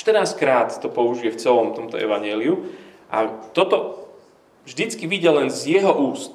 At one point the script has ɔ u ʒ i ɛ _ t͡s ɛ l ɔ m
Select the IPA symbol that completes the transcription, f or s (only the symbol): f